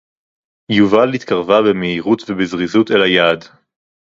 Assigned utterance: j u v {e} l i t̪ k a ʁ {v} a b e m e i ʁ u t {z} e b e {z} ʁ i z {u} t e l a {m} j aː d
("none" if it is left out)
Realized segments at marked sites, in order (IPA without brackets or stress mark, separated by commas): a, v, v, z, u, none